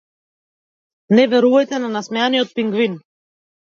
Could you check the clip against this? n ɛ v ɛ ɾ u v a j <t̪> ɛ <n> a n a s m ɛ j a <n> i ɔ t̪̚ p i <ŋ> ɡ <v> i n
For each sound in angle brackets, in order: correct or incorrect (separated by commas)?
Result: correct, correct, correct, correct, correct